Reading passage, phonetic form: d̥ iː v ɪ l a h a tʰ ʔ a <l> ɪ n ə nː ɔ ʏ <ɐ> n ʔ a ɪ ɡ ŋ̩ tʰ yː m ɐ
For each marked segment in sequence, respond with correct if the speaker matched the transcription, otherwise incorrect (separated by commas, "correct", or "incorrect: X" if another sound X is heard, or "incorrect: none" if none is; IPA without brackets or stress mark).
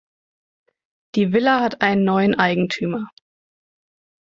incorrect: none, incorrect: ə